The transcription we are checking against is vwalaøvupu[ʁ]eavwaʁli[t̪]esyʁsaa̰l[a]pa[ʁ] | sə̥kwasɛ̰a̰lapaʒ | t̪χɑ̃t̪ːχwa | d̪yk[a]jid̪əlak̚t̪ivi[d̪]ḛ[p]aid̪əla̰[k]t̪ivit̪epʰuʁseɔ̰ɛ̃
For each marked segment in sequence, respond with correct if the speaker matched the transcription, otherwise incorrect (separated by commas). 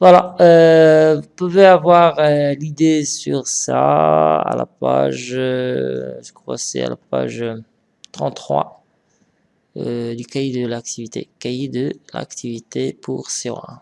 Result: incorrect, incorrect, correct, incorrect, correct, incorrect, incorrect, correct